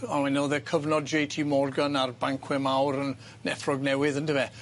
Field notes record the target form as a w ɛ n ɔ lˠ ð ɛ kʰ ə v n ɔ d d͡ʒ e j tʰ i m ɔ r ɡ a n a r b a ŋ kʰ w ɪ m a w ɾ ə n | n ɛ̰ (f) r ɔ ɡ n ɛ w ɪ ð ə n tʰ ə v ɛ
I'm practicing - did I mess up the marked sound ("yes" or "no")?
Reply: no